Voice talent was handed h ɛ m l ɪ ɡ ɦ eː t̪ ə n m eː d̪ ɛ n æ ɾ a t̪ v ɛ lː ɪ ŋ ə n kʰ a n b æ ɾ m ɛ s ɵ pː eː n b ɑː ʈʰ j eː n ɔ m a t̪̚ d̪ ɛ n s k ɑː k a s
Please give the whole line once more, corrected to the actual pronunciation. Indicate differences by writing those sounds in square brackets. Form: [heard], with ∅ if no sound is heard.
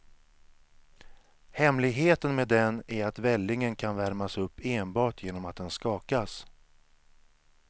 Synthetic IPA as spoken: h ɛ m l ɪ ɡ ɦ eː t̪ ə n m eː d̪ ɛ n æ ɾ a t̪ v ɛ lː ɪ ŋ ə n kʰ a n [v] æ ɾ m [a] s ɵ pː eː n b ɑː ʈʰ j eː n ɔ m a t̪̚ d̪ ɛ n s k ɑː k a s

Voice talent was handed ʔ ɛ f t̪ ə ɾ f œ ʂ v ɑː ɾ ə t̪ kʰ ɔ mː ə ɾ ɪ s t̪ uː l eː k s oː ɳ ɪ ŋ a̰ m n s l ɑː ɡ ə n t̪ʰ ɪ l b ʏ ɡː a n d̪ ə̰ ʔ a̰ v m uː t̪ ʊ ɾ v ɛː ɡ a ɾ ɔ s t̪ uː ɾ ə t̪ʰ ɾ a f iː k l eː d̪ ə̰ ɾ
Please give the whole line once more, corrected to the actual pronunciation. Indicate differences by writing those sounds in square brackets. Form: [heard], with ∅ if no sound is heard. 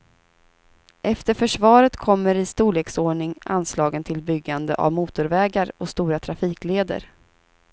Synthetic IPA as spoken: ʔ ɛ f t̪ ə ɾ f œ ʂ v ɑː ɾ ə t̪ kʰ ɔ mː ə ɾ ɪ s t̪ uː l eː k s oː ɳ ɪ ŋ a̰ [∅] n s l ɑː ɡ ə n t̪ʰ ɪ l b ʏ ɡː a n d̪ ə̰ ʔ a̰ v m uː t̪ ʊ ɾ v ɛː ɡ a ɾ ɔ s t̪ uː ɾ [a] t̪ʰ ɾ a f iː k l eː d̪ ə̰ ɾ

